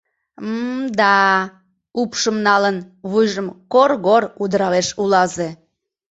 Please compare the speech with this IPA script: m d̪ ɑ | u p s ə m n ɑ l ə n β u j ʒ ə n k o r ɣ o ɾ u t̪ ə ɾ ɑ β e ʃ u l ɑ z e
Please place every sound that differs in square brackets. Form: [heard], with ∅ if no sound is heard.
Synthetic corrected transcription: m d̪ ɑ | u p [ʃ] ə m n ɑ l ə n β u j ʒ ə [m] k o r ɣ o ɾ u [d̪] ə ɾ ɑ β e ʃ u l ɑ z e